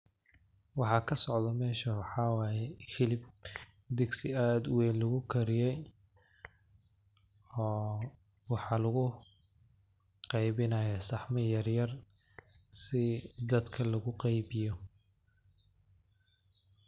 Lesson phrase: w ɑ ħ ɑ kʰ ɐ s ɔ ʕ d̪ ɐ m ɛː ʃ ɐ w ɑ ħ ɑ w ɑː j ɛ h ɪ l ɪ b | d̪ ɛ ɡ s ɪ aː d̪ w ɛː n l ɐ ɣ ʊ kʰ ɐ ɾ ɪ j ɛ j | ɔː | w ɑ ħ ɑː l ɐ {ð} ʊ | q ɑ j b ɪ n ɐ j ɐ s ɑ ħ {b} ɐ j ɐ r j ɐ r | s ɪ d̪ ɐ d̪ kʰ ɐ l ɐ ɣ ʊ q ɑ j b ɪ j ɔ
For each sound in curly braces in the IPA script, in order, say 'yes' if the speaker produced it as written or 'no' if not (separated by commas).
no, no